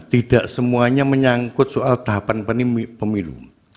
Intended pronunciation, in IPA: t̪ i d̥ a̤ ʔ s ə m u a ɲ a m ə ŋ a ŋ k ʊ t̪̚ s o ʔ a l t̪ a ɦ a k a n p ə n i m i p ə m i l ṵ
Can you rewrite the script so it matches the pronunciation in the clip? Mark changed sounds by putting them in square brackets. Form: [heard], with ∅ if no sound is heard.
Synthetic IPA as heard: t̪ i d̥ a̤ ʔ s ə m u a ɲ a m ə [ɲ] a ŋ k ʊ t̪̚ s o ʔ a l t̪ a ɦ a [p] a n p ə n i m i p ə m i l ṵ